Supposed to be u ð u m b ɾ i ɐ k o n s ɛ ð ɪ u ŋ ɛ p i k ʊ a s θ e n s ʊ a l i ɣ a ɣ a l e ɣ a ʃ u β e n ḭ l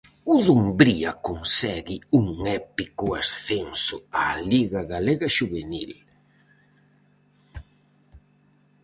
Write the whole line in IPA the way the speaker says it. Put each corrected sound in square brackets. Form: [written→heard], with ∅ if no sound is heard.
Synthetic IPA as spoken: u ð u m b ɾ i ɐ k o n s ɛ [ð→ɣ] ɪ u ŋ ɛ p i k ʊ a s θ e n s ʊ a l i ɣ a ɣ a l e ɣ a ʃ u β e n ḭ l